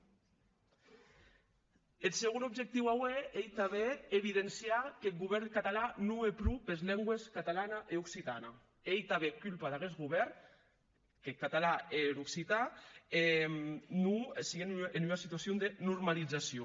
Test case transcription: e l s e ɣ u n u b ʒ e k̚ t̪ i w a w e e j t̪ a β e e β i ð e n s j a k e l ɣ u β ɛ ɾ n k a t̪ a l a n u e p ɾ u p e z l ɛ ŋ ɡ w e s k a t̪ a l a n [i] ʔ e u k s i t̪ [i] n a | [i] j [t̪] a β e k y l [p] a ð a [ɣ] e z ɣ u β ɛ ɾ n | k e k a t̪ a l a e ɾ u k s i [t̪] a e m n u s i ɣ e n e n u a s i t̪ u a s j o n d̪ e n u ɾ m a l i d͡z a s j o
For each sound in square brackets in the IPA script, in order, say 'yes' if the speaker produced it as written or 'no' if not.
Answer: no, no, no, yes, yes, yes, yes

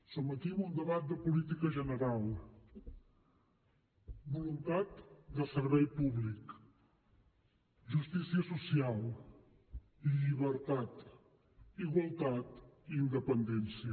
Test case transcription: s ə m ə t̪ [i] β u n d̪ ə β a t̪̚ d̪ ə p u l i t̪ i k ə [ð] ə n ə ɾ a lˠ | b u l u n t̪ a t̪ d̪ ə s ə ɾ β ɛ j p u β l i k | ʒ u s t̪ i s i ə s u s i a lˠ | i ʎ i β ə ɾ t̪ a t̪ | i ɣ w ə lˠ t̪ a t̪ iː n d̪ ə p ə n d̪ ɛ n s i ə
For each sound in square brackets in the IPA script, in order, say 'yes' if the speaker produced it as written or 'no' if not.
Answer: yes, no

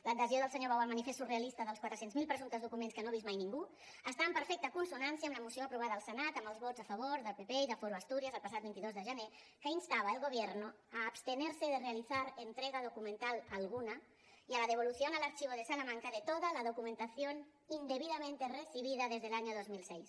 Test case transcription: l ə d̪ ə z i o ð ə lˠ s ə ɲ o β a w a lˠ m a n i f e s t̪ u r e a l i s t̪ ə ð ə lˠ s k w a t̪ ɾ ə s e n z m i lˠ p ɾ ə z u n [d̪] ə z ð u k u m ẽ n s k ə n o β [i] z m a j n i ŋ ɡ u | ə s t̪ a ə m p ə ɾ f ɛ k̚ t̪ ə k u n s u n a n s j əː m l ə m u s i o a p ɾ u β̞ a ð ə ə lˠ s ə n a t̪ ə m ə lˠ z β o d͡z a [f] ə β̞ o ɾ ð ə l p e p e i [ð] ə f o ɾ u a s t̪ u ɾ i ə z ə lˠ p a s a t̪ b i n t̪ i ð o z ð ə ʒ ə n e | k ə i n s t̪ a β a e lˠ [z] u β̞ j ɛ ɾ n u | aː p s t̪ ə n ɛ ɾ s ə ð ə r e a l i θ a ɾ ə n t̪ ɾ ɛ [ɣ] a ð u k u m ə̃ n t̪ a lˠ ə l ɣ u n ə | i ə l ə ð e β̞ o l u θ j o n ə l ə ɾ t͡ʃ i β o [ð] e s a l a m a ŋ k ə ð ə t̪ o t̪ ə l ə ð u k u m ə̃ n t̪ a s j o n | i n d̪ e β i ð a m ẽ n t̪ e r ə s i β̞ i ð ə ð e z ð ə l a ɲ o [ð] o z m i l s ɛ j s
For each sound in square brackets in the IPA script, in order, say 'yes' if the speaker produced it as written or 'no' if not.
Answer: no, yes, yes, yes, no, yes, yes, yes

